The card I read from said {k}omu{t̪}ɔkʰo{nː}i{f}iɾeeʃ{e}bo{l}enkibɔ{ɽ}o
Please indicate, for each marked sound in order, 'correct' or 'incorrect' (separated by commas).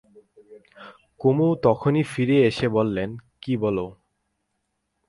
correct, correct, incorrect, correct, correct, incorrect, incorrect